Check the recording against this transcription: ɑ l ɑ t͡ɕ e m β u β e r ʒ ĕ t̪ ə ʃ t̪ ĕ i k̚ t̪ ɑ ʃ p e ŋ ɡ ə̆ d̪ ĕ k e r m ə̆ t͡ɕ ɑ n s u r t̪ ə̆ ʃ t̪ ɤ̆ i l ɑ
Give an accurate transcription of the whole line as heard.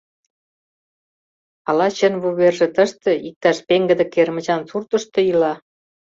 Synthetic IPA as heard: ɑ l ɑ t͡ɕ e n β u β e r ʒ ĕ t̪ ə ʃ t̪ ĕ i k̚ t̪ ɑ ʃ p e ŋ ɡ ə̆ d̪ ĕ k e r m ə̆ t͡ɕ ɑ n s u r t̪ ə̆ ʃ t̪ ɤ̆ i l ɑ